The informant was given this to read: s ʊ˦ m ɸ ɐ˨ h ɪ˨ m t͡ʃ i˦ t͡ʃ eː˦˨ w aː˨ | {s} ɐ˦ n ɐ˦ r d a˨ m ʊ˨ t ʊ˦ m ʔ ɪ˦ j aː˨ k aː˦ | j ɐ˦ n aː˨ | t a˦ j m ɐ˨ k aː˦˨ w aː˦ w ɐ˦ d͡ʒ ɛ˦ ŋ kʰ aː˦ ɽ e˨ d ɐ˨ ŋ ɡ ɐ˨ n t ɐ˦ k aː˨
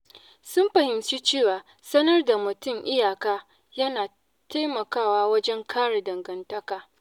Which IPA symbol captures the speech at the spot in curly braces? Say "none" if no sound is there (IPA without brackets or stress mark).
s